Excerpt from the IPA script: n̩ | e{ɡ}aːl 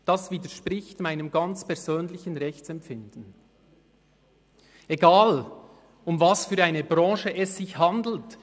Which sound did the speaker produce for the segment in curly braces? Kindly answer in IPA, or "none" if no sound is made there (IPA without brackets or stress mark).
ɡ